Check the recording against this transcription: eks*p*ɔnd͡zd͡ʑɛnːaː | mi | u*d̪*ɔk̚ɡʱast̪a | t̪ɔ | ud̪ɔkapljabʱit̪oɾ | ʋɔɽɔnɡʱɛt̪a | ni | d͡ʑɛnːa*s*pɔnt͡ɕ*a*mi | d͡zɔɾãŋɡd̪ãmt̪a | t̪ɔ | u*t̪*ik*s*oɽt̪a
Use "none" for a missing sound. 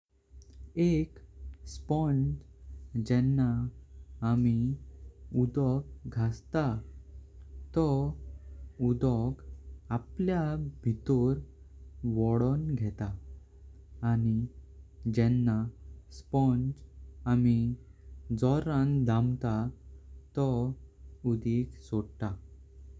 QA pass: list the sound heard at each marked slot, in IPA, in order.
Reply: p, d̪, s, a, d̪, s

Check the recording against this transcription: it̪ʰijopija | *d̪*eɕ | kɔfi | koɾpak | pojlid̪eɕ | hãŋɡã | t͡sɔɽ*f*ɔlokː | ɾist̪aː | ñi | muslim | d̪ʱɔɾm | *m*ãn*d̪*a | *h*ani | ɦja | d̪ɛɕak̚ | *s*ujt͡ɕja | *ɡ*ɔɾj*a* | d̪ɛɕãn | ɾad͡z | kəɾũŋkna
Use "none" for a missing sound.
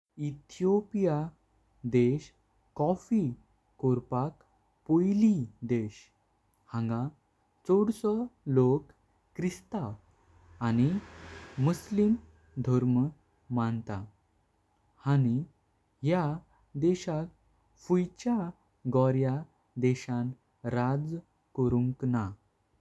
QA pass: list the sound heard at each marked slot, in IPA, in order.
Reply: d̪, s, m, t̪, h, f, ɡ, a

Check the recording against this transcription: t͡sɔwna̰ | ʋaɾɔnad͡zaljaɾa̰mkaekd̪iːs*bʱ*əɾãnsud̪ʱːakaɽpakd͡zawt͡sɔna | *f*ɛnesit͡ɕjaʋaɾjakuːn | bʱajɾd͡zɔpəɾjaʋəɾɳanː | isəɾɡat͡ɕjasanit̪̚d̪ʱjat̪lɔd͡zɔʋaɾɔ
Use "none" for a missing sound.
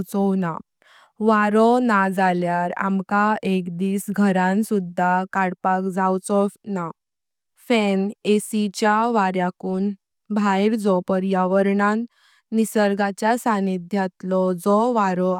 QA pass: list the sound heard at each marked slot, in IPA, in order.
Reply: ɡʱ, f

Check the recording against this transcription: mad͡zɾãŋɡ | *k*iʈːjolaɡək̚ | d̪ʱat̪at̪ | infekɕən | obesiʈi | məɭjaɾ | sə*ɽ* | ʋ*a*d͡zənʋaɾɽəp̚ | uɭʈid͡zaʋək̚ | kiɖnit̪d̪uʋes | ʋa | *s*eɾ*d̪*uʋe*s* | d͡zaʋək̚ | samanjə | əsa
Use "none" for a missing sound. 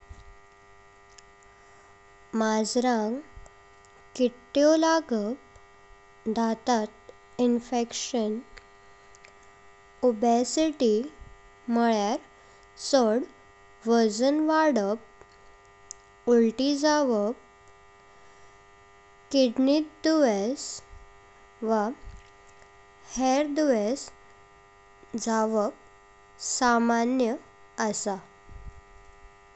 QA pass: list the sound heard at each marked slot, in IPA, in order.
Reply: k, ɽ, ə, h, d̪, s

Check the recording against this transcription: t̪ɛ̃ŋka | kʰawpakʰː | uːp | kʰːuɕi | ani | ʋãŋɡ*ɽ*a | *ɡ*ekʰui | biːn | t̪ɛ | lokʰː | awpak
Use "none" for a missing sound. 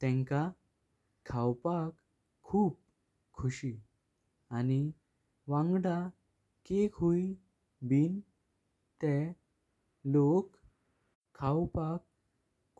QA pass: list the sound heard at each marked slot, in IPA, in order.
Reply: ɽ, k

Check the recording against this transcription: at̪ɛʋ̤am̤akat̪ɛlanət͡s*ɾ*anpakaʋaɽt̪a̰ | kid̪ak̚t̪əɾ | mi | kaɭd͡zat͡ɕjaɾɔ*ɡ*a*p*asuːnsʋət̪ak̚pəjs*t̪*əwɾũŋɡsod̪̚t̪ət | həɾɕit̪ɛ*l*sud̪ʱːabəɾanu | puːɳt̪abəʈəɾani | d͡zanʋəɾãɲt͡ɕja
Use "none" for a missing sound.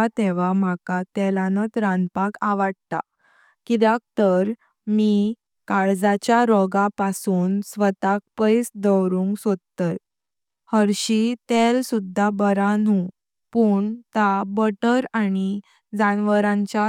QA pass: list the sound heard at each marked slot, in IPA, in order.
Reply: ɾ, ɡ, p, d̪, l

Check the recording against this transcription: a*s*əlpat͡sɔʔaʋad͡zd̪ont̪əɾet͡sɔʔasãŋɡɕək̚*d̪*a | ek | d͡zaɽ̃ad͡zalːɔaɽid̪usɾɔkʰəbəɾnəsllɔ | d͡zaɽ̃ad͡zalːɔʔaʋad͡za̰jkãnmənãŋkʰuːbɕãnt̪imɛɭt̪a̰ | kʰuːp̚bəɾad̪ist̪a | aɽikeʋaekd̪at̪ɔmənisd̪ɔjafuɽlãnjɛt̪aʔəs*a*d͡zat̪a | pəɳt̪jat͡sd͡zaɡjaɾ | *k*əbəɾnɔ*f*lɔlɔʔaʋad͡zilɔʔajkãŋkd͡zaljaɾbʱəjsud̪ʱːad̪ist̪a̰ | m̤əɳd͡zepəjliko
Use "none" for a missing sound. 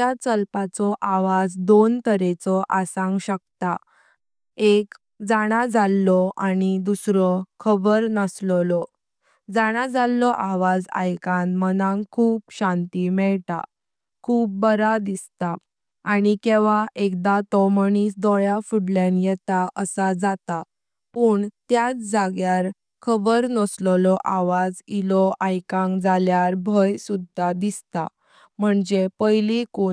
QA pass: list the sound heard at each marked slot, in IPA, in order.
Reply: t͡s, t̪, a, kʰ, s

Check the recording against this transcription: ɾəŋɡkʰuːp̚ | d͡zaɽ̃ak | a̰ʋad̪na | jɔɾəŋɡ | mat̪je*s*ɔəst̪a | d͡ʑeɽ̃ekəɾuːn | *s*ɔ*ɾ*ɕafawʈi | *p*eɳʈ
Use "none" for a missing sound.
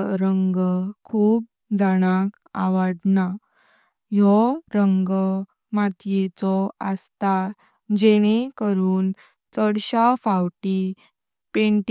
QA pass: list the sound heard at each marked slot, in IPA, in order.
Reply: t͡s, t͡s, ɽ, p

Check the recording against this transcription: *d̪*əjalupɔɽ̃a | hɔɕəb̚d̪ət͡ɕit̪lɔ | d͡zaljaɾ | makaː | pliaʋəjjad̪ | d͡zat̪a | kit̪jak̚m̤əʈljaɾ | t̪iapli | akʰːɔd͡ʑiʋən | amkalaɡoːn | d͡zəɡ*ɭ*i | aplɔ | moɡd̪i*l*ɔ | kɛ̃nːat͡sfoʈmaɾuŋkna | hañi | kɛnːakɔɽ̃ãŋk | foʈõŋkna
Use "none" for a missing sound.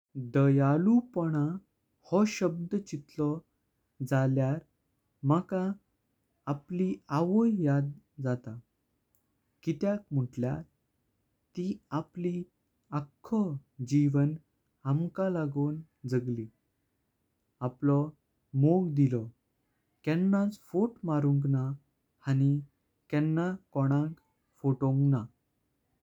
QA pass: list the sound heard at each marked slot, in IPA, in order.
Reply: d̪, l, l

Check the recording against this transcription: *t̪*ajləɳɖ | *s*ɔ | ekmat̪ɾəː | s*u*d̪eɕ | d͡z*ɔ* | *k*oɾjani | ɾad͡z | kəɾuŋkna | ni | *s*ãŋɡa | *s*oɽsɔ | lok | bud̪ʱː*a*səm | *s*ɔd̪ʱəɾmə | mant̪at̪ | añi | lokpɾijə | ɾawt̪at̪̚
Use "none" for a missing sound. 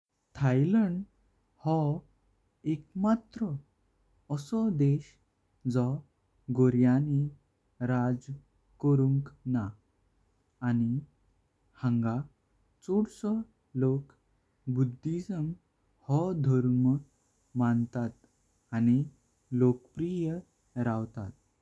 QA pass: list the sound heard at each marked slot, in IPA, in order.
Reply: t̪ʰ, h, ɔ, ɔ, ɡ, h, t͡s, i, h

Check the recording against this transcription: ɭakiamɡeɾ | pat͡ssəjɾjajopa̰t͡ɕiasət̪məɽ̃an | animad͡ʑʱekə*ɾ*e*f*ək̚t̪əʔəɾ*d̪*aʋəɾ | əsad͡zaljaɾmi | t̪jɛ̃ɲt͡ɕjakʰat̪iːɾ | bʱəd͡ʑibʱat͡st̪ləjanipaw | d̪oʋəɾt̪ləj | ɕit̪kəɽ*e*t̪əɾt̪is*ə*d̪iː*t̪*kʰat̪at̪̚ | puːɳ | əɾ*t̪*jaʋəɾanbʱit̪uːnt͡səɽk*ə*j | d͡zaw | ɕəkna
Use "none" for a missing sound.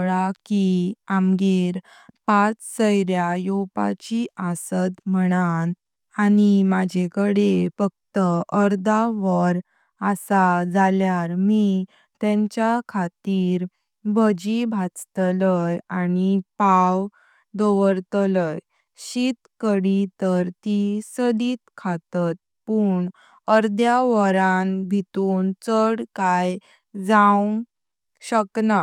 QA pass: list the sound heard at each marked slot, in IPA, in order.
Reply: ɽ, f, d̪, i, ə, t̪, d̪, a

